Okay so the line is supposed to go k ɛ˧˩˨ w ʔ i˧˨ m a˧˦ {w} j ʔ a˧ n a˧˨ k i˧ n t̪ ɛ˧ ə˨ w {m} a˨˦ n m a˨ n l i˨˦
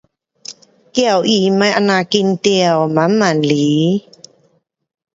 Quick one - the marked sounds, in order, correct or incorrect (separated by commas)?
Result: incorrect, correct